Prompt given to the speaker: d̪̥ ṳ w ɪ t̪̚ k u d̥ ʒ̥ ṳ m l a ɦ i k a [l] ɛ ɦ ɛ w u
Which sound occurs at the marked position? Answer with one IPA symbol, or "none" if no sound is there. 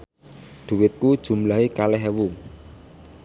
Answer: l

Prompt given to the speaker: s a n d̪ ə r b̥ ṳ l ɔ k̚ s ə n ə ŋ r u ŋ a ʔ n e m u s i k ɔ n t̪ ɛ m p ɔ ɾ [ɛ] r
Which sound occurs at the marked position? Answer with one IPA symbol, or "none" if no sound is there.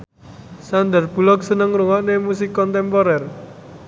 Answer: ɛ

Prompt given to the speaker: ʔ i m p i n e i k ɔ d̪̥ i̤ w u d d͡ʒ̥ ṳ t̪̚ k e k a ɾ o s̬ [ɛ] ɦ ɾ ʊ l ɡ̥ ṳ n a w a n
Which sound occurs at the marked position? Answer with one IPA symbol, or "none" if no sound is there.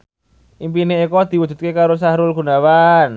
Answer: a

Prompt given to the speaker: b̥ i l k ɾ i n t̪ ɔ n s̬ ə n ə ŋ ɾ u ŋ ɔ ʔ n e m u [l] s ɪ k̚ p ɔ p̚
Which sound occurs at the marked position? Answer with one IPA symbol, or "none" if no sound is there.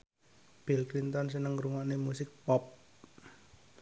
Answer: none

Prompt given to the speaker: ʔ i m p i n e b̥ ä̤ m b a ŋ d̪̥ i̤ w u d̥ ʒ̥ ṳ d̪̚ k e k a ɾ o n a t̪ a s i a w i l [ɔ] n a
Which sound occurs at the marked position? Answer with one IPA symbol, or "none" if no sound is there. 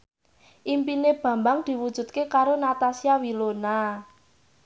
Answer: o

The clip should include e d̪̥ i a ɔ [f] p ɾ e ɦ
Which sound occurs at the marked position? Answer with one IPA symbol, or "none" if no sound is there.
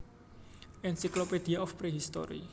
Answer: f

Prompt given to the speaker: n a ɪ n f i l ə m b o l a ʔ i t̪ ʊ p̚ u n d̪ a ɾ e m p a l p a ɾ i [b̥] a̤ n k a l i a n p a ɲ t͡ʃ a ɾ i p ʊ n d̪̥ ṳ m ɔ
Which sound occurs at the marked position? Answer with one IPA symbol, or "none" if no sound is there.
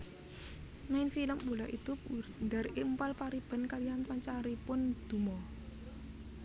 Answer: b̥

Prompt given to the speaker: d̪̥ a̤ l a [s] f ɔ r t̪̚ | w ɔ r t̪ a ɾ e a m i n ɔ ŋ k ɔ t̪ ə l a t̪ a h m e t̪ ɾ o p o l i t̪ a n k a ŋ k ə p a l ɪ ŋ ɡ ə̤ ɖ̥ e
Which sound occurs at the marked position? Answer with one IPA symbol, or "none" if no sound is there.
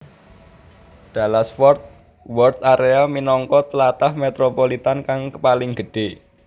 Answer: s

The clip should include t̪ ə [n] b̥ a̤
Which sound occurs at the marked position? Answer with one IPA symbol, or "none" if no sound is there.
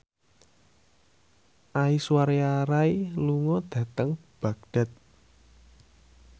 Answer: ŋ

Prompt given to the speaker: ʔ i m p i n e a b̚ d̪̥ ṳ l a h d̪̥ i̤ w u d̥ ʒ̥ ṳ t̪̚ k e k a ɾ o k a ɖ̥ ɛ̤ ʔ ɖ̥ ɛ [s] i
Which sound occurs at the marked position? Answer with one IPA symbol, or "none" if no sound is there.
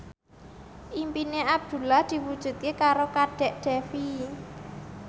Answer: f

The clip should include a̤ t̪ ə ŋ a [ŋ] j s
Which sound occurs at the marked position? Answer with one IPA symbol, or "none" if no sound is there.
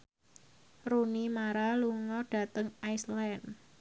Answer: none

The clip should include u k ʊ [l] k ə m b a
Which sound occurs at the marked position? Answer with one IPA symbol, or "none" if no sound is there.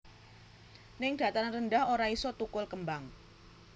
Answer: l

